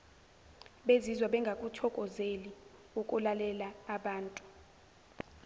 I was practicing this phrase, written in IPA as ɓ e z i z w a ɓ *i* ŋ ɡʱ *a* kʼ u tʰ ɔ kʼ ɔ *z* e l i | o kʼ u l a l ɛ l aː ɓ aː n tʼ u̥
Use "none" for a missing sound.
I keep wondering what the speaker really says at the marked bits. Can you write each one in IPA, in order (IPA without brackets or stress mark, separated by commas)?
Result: ɛ, a, z